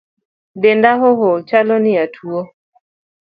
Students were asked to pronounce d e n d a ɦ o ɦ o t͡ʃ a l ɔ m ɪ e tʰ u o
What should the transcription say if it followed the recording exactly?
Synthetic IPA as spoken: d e n d a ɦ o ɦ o t͡ʃ a l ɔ n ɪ a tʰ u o